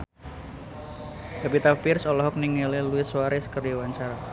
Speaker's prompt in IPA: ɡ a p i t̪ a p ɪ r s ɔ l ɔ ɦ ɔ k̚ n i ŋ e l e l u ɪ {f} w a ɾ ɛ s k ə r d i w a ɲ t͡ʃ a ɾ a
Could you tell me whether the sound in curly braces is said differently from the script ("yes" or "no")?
yes